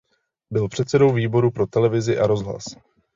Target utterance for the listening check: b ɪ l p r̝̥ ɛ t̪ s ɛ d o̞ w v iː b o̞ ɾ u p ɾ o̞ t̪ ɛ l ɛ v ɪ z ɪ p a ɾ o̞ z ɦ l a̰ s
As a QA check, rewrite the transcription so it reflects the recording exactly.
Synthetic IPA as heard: b ɪ l p r̝̥ ɛ t̪ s ɛ d o̞ w v iː b o̞ ɾ u p ɾ o̞ t̪ ɛ l ɛ v ɪ z ɪ ʔ a ɾ o̞ z ɦ l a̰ s

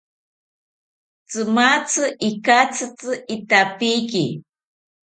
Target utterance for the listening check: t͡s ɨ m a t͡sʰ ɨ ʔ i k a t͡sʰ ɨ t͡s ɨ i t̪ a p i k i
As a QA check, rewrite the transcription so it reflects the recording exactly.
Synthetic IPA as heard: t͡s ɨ m a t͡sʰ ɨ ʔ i k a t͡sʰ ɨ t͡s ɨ i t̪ a p i k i

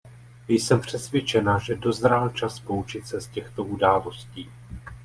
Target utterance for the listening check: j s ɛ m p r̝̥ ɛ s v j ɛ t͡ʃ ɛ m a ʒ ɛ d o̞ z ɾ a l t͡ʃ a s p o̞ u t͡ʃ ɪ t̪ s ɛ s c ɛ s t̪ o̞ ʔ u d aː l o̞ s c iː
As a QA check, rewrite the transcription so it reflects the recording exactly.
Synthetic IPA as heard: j s ɛ m p r̝̥ ɛ s v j ɛ t͡ʃ ɛ n a ʒ ɛ d o̞ z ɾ a l t͡ʃ a s p o̞ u t͡ʃ ɪ t̪ s ɛ s c ɛ x t̪ o̞ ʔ u d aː l o̞ s c iː

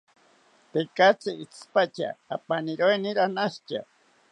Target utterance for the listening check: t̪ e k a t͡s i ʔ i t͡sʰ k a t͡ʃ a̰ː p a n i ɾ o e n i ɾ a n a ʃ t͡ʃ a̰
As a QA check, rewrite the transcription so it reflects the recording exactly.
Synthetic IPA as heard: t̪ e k a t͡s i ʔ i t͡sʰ p a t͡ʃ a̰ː p a n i ɾ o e n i ɾ a n a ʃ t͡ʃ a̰

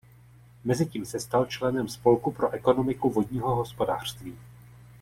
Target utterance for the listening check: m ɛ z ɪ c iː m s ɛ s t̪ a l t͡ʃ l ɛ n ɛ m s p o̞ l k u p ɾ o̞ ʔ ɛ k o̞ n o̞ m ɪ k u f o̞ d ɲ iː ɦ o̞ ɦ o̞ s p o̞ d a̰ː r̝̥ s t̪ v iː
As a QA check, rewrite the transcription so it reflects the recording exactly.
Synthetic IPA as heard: m ɛ z ɪ c iː m s ɛ s t̪ a l t͡ʃ l ɛ n ɛ m s p o̞ l k u p ɾ o̞ ʔ ɛ k o̞ n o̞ m ɪ k u v o̞ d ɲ iː ɦ o̞ ɦ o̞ s p o̞ d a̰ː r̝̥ s t̪ v iː

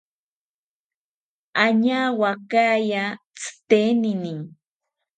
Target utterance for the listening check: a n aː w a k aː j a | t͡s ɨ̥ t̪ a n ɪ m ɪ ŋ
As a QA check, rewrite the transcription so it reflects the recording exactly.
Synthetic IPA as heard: a ɲ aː w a k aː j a | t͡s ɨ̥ t̪ e n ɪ n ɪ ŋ

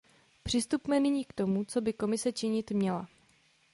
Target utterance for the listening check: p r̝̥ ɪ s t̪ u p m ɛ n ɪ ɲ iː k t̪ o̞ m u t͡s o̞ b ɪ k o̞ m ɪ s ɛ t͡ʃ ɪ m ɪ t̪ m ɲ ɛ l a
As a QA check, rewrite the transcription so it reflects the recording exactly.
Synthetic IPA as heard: p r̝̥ ɪ s t̪ u p m ɛ n ɪ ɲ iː k t̪ o̞ m u t͡s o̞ b ɪ k o̞ m ɪ s ɛ t͡ʃ ɪ ɲ ɪ t̪ m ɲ ɛ l a

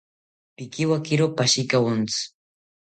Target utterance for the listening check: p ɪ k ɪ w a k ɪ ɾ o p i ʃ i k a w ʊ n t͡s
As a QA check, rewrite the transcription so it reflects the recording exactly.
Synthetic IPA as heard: p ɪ k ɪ w a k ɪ ɾ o p a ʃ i k a w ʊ n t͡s

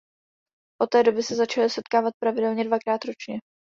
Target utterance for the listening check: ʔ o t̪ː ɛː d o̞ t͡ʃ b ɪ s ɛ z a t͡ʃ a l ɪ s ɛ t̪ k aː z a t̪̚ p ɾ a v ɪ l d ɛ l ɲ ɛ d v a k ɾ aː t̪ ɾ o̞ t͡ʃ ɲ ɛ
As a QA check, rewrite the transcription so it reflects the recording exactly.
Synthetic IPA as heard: ʔ o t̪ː ɛː d o̞ b ɪ s ɛ z a t͡ʃ a l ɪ s ɛ t̪ k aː v a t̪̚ p ɾ a v ɪ d ɛ l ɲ ɛ d v a k ɾ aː t̪ ɾ o̞ t͡ʃ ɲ ɛ

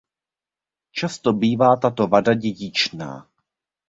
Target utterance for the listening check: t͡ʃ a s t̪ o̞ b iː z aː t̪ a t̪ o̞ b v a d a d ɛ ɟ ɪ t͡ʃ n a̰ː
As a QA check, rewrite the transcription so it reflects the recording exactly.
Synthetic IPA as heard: t͡ʃ a s t̪ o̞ b iː v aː t̪ a t̪ o̞ v a d a ɟ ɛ ɟ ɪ t͡ʃ n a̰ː

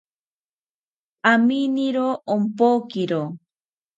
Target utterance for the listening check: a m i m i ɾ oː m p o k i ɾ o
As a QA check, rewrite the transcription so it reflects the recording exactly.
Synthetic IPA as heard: a m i n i ɾ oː m p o k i ɾ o

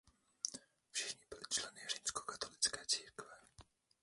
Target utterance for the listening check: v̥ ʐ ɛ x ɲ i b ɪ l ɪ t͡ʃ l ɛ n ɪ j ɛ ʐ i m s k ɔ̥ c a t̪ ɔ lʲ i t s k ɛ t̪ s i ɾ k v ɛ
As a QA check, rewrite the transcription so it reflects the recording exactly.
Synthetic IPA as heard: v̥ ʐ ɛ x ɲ i b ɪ l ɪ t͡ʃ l ɛ n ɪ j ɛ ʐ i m s k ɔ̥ k a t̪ ɔ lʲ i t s k ɛ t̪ s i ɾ k v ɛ

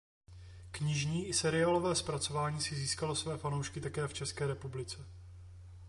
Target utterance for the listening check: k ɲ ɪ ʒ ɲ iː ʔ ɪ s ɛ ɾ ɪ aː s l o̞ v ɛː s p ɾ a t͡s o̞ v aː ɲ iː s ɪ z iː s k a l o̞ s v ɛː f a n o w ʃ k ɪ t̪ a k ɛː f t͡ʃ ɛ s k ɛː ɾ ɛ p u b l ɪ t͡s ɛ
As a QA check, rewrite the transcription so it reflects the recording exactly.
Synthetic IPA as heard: k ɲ ɪ ʒ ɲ iː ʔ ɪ s ɛ ɾ ɪ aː l o̞ v ɛː s p ɾ a t͡s o̞ v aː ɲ iː s ɪ z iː s k a l o̞ s v ɛː f a n o w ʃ k ɪ t̪ a k ɛː f t͡ʃ ɛ s k ɛː ɾ ɛ p u b l ɪ t͡s ɛ

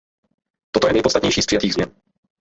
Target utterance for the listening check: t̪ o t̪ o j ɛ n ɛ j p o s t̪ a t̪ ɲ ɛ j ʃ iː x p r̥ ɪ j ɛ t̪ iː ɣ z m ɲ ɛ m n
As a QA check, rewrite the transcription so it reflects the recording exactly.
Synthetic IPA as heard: t̪ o t̪ o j ɛ n ɛ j p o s t̪ a t̪ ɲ ɛ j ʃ iː s p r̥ ɪ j a t̪ iː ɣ z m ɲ ɛ n

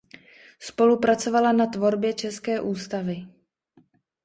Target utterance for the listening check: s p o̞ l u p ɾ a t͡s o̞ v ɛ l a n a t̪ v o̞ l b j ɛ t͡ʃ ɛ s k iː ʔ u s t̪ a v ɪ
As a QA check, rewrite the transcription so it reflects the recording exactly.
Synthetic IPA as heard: s p o̞ l u p ɾ a t͡s o̞ v a l a n a t̪ v o̞ ɾ b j ɛ t͡ʃ ɛ s k ɛː ʔ uː s t̪ a v ɪ

